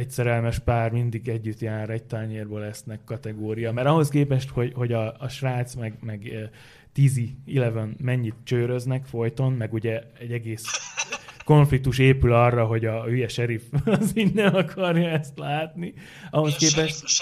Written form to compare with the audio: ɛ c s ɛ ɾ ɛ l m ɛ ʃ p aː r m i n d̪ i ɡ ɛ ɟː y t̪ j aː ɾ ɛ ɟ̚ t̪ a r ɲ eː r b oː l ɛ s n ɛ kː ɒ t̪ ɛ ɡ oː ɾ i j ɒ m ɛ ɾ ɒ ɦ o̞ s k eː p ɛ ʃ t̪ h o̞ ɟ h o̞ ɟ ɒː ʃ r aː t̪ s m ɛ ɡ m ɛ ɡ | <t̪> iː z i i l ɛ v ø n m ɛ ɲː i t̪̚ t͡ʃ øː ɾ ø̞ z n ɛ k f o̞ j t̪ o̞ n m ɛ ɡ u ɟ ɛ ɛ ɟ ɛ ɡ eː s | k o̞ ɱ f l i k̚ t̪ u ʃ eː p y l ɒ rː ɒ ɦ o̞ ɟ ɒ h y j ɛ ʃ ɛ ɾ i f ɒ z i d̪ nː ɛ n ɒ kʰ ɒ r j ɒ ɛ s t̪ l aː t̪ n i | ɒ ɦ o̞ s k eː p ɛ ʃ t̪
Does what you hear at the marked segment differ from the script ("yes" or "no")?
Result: no